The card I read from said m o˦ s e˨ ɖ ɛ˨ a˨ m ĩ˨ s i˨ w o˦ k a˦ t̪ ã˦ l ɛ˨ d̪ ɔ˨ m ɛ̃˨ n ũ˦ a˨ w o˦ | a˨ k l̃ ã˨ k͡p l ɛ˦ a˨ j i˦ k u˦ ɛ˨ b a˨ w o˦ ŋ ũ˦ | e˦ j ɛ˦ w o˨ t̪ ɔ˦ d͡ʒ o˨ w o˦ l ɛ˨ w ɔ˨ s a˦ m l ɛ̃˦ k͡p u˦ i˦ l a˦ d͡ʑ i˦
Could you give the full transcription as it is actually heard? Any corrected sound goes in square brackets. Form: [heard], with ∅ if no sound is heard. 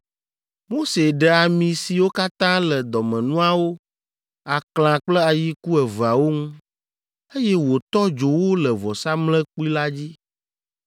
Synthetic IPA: m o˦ s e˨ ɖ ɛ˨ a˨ m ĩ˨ s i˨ w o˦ k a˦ t̪ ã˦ l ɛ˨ d̪ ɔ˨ m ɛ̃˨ n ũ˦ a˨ w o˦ | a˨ k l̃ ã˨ k͡p l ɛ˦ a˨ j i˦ k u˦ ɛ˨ [v] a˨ w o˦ ŋ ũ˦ | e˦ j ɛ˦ w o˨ t̪ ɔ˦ d͡ʒ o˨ w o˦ l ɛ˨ [v] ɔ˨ s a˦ m l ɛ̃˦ k͡p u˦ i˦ l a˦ d͡ʑ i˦